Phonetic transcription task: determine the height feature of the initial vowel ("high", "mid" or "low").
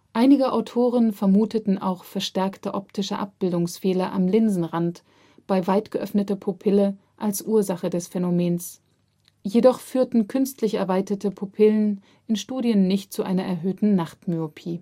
low